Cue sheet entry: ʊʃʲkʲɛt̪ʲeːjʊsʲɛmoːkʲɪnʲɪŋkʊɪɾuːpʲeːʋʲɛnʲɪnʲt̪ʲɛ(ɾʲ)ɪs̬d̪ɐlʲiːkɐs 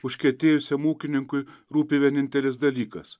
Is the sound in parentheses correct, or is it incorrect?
incorrect